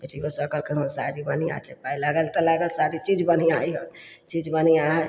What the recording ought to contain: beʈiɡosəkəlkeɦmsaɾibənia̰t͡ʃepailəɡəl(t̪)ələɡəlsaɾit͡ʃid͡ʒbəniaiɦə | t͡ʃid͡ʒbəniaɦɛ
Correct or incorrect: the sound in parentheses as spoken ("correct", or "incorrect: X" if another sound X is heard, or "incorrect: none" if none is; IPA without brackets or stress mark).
correct